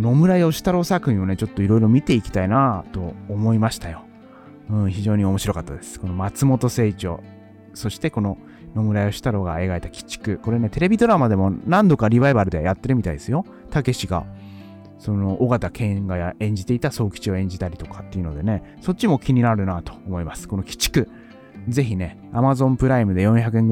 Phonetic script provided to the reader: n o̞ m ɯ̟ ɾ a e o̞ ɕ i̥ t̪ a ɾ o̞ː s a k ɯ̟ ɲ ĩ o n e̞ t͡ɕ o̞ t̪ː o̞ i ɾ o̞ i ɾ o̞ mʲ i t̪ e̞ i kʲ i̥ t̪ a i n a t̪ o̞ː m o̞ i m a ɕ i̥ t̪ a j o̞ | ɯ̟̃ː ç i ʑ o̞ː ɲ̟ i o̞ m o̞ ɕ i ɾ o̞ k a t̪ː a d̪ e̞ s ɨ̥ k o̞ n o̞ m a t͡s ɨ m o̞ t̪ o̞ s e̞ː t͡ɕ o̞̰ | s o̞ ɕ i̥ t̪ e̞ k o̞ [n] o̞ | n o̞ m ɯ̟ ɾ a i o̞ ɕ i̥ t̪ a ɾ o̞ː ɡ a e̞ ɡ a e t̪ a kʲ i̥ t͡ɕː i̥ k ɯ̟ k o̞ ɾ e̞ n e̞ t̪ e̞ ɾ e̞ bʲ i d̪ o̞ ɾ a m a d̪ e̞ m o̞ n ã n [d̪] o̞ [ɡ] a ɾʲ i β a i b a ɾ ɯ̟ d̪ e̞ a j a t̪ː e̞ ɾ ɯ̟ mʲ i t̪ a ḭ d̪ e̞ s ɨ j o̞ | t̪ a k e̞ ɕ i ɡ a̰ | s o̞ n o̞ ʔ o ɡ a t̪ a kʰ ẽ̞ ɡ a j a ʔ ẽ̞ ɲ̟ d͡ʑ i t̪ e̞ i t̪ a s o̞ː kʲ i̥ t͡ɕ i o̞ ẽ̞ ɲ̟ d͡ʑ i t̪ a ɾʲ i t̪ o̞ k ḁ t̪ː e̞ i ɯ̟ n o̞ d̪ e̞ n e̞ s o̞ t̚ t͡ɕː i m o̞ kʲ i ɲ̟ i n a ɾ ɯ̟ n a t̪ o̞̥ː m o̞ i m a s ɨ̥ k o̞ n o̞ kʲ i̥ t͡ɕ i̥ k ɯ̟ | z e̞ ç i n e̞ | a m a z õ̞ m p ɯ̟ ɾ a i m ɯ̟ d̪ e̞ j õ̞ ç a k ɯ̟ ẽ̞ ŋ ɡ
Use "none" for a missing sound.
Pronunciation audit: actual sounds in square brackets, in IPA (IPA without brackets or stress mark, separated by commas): n, d̪, k